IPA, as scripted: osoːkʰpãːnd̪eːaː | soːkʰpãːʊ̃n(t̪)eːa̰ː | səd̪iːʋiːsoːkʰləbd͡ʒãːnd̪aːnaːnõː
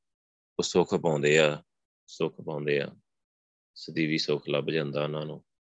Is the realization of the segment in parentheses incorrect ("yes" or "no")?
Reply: yes